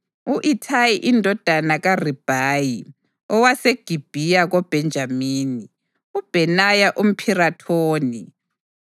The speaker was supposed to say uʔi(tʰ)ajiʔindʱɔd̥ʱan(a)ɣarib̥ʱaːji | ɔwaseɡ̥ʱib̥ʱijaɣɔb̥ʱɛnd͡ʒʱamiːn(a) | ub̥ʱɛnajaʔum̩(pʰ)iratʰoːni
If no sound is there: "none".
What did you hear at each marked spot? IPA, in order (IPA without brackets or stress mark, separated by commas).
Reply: tʰ, a, i, pʰ